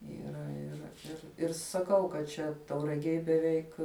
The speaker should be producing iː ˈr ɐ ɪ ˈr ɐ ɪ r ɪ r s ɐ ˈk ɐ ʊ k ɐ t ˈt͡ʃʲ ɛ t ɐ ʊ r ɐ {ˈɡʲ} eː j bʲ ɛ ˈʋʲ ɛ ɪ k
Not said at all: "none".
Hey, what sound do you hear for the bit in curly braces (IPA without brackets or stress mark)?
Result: ɡʲ